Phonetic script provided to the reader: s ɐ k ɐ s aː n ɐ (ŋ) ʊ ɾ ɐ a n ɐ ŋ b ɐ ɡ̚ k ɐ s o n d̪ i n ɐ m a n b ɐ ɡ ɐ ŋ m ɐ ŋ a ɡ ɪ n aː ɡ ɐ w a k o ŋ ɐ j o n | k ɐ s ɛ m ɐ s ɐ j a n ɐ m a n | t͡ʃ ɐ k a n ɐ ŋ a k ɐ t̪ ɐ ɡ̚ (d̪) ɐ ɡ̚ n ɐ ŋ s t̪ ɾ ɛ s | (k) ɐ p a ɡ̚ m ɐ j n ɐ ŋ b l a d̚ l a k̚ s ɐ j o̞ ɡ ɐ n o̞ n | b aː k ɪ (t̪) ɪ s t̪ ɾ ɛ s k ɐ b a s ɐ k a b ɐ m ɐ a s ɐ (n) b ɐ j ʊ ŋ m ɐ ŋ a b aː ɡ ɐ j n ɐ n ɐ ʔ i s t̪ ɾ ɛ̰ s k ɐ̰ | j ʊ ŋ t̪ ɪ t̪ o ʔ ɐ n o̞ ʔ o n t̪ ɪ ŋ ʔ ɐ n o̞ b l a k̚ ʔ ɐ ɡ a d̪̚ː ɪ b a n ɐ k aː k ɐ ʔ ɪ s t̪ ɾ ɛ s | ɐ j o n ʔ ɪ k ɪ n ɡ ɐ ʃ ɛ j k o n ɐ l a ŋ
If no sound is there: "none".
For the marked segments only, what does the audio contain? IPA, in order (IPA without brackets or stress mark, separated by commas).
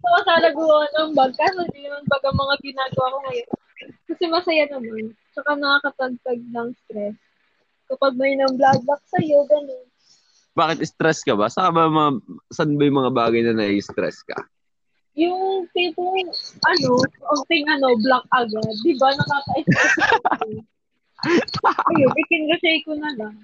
ɡ, t̪, k, t̪, n